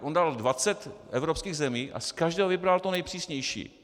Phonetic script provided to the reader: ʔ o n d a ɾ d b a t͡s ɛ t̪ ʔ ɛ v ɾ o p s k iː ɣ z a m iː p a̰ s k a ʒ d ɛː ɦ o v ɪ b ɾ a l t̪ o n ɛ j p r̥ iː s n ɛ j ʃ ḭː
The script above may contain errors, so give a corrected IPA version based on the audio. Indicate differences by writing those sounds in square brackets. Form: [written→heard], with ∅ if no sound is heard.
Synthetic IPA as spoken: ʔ o n d a [ɾ→l] d [b→v] a t͡s ɛ t̪ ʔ ɛ v ɾ o p s k iː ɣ z [a→ɛ] m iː [p→ʔ] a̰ s k a ʒ d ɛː ɦ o v ɪ b ɾ a l t̪ o n ɛ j p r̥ iː s [n→ɲ] ɛ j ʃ ḭː